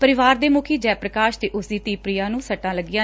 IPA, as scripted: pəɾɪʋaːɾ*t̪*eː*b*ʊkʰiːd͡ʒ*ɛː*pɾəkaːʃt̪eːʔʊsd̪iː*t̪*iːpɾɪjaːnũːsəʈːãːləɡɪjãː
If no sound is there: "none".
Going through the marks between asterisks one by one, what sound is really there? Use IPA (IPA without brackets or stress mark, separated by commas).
d̪, m, ɛː, t̪